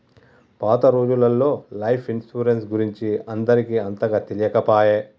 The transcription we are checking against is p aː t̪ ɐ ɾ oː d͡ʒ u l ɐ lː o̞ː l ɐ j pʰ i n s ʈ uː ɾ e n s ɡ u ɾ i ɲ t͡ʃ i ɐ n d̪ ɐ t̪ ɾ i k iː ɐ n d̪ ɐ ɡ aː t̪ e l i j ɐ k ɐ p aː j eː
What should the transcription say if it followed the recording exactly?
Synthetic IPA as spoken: p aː t̪ ɐ ɾ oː d͡ʒ u l ɐ lː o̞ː l ɐ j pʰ i n s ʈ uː ɾ e n s ɡ u ɾ i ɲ t͡ʃ i ɐ n d̪ ɐ ɾ i k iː ɐ n t̪ ɐ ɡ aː t̪ e l i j ɐ k ɐ p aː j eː